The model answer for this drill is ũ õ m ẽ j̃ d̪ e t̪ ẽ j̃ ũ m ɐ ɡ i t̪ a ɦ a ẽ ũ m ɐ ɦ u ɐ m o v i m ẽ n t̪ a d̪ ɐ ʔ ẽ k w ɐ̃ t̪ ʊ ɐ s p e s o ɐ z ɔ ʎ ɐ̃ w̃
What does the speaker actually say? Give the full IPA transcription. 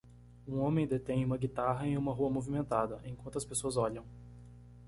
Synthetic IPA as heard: ũ õ m ẽ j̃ d̪ e t̪ ẽ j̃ ũ m ɐ ɡ i t̪ a ɦ ɐ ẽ ũ m ɐ ɦ u ɐ m o v i m ẽ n t̪ a d̪ ɐ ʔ ẽ k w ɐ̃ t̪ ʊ ɐ s p e s o ɐ z ɔ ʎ ɐ̃ w̃